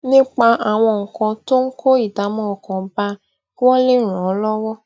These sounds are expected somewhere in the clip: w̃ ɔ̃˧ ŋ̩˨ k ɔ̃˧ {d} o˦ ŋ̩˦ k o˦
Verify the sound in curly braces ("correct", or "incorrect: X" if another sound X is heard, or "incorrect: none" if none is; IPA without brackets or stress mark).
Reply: incorrect: t